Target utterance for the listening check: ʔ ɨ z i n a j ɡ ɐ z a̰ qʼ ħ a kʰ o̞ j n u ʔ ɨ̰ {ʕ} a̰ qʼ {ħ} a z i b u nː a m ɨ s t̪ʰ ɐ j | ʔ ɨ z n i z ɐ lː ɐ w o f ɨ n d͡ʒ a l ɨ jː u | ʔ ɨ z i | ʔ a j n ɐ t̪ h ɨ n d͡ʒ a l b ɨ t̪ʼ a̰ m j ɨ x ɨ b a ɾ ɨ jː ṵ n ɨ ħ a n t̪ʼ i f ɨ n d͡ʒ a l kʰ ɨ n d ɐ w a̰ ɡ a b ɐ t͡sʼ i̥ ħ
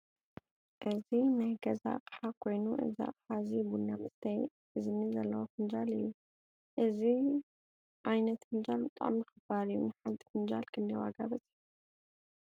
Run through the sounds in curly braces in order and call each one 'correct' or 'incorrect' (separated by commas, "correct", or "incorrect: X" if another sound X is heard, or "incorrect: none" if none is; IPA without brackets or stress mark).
incorrect: z, correct